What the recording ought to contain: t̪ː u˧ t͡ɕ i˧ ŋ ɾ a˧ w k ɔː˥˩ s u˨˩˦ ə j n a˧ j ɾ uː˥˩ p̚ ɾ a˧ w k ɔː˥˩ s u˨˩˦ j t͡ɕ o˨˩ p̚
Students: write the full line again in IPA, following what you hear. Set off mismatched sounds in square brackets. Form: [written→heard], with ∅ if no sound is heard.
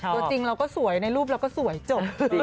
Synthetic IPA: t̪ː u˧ t͡ɕ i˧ ŋ ɾ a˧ w k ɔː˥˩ s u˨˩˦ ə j n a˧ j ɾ uː˥˩ p̚ ɾ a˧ w k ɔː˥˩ s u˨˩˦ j t͡ɕ o˨˩ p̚

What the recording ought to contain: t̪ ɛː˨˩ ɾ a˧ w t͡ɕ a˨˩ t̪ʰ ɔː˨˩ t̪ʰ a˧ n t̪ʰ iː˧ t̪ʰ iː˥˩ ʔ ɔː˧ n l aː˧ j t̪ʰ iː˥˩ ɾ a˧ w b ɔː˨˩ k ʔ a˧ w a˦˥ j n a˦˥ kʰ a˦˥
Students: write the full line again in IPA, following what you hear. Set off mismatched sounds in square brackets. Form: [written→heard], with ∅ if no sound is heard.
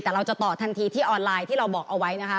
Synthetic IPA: t̪ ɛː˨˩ ɾ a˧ w t͡ɕ a˨˩ [t̪ʰ→t̪] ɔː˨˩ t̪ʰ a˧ n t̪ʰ iː˧ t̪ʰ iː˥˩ ʔ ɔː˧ n l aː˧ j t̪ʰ iː˥˩ ɾ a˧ w b ɔː˨˩ k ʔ a˧ w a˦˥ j n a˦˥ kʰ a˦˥

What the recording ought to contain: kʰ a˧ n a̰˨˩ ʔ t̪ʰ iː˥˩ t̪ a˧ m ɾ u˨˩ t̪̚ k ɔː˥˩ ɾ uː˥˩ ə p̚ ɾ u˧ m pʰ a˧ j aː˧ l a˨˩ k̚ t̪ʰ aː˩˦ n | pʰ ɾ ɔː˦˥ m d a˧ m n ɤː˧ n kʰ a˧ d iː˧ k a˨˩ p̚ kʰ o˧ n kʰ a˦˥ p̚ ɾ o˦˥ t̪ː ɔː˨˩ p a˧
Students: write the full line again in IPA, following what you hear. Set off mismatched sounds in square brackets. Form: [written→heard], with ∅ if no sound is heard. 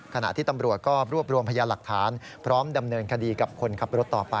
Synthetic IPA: kʰ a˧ n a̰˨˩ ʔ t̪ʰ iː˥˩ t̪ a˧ m ɾ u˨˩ t̪̚ k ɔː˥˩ ɾ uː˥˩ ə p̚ ɾ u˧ m pʰ a˧ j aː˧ l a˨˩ k̚ t̪ʰ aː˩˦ n | pʰ ɾ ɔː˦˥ m d a˧ m n ɤː˧ n kʰ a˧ d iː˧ k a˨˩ p̚ kʰ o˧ n kʰ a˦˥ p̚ ɾ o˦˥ t̪ː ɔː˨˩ p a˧

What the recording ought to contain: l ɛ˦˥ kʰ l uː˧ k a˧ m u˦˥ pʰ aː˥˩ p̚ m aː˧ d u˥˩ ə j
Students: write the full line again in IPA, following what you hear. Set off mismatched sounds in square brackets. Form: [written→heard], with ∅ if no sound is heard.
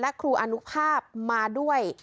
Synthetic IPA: l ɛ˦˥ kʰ [l→ɾ] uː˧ [k→ʔ] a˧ [m→n] u˦˥ pʰ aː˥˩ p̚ m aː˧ d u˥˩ ə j

